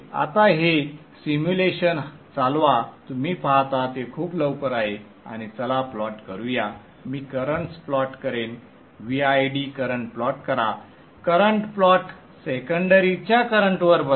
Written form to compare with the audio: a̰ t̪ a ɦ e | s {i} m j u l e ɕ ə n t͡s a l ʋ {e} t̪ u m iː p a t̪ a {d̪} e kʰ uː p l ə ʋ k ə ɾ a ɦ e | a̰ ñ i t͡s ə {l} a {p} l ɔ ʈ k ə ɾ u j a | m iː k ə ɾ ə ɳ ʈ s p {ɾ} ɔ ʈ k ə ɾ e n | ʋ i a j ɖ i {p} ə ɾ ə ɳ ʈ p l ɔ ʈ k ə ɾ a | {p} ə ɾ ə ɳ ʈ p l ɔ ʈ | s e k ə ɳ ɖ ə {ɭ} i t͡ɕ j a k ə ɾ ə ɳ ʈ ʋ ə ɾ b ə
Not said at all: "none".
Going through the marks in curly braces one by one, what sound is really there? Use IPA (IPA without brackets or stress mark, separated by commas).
i, a, t̪, l, p, l, k, k, ɾ